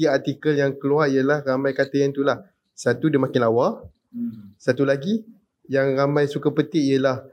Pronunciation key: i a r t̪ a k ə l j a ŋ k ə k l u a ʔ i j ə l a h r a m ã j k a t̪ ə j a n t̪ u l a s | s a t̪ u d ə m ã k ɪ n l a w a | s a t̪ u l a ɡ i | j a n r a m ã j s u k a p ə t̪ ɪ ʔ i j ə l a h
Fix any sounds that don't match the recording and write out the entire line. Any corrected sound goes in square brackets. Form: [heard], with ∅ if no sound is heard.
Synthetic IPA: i a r t̪ [i] k ə l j a ŋ k ə [∅] l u a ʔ i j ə l a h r a m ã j k a t̪ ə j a n t̪ u l a [h] | s a t̪ u d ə m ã k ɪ n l a w a | s a t̪ u l a ɡ i | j a [ŋ] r a m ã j s u k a p ə t̪ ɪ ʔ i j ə l a h